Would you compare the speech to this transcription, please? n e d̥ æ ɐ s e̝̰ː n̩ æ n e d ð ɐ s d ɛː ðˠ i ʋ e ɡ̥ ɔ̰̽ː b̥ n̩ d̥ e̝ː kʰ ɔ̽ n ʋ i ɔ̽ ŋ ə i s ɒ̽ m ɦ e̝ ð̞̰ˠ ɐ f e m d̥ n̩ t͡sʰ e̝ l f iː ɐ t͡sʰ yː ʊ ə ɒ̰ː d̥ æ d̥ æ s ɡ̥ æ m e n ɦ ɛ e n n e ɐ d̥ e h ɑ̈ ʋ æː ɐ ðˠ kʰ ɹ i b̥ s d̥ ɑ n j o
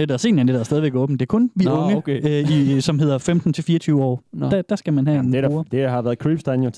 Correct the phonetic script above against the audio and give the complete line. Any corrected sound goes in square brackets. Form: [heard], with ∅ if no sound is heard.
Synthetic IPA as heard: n e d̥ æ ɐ s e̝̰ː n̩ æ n e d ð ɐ s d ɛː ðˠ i ʋ e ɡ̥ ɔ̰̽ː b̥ n̩ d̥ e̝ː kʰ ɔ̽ n ʋ i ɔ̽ ŋ ə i s ɒ̽ m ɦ e̝ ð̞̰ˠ ɐ f e m d̥ n̩ t͡sʰ e̝ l f iː ɐ t͡sʰ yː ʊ ə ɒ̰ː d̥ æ d̥ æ s ɡ̥ æ m [æ] n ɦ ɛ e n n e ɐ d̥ e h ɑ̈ ʋ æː ɐ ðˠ kʰ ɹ i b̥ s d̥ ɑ n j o